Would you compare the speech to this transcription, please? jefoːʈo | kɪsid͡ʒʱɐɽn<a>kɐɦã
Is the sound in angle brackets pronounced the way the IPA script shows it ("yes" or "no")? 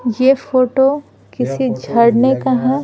no